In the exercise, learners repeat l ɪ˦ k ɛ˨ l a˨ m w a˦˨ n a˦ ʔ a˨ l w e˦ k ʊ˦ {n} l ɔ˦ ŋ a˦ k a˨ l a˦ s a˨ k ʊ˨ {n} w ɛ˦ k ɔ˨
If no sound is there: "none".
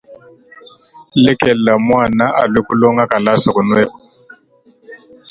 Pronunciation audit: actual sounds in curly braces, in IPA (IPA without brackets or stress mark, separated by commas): none, n